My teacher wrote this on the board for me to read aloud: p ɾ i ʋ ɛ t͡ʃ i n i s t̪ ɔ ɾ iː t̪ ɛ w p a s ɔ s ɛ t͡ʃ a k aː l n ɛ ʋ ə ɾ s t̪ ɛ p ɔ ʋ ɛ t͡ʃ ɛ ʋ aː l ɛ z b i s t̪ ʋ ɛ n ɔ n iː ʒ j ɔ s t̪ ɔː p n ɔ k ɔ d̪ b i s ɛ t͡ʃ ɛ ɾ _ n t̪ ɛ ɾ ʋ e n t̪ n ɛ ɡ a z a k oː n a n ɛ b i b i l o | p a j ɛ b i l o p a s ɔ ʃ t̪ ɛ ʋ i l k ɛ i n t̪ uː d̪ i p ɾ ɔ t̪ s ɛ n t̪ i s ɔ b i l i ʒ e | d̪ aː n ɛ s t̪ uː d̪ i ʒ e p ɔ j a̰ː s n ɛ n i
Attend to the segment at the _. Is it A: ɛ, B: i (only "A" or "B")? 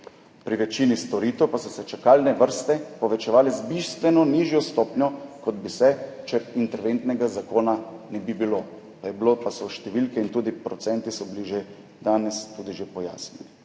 B